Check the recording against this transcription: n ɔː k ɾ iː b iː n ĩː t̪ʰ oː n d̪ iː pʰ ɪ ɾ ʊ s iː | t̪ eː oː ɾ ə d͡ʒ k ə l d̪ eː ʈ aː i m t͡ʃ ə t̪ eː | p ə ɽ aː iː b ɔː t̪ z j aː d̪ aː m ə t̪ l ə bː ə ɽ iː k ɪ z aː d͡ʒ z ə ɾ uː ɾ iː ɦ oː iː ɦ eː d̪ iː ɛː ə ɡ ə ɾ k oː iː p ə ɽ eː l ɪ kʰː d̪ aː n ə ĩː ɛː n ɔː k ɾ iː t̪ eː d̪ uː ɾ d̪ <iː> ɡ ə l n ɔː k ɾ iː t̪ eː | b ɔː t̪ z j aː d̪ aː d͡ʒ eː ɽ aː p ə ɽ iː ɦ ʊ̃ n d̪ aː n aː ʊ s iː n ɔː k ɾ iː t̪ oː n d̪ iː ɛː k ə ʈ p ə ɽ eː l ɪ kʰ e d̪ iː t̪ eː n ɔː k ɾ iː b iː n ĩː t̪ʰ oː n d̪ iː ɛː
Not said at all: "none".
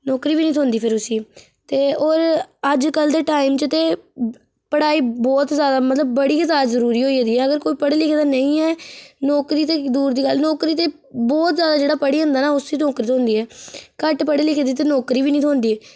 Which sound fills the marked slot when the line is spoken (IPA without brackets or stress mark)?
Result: iː